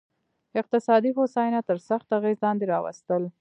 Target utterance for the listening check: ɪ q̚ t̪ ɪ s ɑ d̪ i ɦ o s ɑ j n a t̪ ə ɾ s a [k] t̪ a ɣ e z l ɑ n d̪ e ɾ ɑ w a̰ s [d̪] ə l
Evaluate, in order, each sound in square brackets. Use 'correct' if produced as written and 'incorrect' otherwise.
incorrect, incorrect

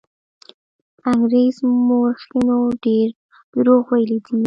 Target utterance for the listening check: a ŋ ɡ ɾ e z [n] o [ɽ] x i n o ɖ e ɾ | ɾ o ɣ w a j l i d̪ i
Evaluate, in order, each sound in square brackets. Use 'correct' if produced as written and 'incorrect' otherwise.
incorrect, incorrect

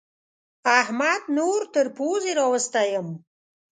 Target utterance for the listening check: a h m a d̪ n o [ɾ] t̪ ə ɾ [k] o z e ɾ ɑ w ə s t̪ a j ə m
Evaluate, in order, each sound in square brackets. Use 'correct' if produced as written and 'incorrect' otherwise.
correct, incorrect

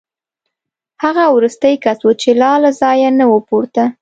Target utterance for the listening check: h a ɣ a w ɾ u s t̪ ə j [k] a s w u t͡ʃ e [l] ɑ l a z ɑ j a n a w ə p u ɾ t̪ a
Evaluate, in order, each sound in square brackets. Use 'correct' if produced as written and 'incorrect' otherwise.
correct, correct

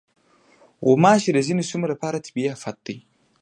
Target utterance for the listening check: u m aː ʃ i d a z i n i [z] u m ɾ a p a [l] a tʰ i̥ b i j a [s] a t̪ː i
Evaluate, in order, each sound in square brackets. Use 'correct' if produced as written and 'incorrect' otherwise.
incorrect, incorrect, incorrect

